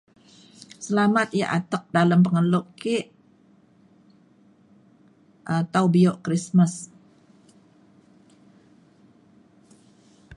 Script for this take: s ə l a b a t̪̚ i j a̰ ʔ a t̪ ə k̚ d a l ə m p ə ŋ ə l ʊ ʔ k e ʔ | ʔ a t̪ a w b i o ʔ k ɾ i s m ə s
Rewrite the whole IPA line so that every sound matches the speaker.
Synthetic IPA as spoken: s ə l a m a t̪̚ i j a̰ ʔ a t̪ ə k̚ d a l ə m p ə ŋ ə l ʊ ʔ k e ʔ | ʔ a t̪ a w b i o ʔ k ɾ i s m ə s